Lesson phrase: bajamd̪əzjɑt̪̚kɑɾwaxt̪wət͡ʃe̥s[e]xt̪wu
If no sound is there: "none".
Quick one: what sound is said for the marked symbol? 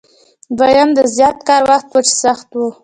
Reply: a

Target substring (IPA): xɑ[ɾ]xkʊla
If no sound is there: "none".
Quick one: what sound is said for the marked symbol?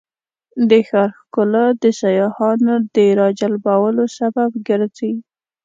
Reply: ɾ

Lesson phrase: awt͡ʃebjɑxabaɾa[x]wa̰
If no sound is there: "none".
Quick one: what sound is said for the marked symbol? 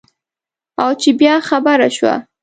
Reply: ʃ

